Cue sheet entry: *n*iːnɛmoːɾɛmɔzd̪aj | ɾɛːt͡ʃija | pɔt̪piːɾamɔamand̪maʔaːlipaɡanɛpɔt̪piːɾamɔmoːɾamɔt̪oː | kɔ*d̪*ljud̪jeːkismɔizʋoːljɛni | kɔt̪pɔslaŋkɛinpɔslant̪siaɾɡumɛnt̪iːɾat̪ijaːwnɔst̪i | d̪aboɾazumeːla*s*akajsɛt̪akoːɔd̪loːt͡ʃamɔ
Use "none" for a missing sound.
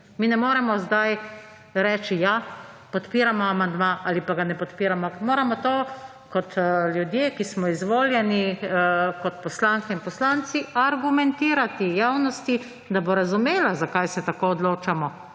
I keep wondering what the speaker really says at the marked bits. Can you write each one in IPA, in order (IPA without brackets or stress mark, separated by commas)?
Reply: m, t̪, z